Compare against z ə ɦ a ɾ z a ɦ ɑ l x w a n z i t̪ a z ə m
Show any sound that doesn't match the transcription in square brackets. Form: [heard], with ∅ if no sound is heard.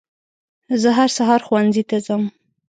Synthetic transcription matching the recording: z ə ɦ a ɾ [s] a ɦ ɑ [ɾ] x w a n z i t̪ a z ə m